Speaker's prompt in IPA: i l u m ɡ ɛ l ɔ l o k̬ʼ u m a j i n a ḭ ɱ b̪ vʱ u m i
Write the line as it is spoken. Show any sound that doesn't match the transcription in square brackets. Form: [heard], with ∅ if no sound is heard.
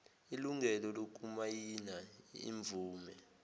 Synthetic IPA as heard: i l u [ŋ] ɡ ɛ l ɔ l o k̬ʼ u m a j i n a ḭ ɱ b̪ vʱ [uː] m [ɛ]